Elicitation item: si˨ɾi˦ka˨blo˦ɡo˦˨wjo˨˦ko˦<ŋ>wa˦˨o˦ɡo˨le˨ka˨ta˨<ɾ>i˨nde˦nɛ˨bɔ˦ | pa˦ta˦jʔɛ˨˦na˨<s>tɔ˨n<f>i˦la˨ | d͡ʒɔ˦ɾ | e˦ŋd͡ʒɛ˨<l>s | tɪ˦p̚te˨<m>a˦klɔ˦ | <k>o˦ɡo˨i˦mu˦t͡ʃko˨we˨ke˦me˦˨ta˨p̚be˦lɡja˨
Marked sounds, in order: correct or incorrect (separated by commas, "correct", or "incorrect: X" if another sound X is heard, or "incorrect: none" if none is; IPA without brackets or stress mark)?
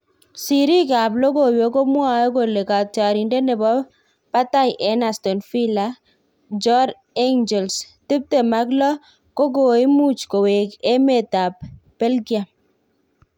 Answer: incorrect: m, correct, correct, correct, correct, correct, correct